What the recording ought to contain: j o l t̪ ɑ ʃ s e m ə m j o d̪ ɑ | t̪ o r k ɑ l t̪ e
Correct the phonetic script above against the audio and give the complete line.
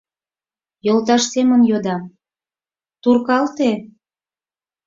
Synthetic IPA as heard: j o l t̪ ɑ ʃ s e m ə n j o d̪ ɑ | t̪ u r k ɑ l t̪ e